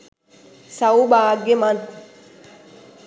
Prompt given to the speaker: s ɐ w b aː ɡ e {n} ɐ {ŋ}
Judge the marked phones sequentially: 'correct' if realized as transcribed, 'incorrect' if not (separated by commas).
incorrect, incorrect